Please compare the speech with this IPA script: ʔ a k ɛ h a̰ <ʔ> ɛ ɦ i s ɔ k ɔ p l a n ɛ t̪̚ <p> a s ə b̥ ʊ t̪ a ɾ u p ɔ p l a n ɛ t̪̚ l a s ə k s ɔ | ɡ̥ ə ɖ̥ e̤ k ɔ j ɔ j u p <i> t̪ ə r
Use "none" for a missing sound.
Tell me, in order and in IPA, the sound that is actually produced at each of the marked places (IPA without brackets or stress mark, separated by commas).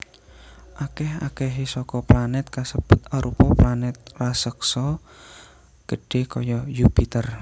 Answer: k, k, i